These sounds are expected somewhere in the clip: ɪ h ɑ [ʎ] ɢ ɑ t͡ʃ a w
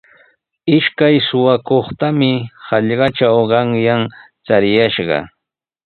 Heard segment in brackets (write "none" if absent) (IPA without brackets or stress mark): ʎ